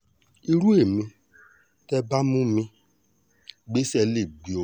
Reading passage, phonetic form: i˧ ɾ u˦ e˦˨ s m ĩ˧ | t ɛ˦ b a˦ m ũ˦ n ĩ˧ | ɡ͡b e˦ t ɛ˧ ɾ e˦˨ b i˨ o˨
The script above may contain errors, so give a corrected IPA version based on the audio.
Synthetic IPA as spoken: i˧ ɾ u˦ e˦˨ m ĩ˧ | t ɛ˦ b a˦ m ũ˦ m ĩ˧ | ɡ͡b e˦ s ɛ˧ l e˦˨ ɡ͡b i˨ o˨